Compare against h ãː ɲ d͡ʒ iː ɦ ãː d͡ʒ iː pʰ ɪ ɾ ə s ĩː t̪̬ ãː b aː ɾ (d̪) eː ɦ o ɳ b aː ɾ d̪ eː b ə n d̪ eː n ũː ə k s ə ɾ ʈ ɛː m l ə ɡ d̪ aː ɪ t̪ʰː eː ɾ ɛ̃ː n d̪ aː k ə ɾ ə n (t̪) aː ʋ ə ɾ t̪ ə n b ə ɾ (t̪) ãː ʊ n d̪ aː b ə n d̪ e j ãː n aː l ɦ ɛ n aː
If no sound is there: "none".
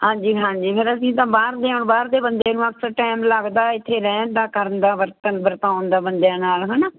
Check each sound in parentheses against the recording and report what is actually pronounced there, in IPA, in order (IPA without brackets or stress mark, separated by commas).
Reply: d̪, d̪, t̪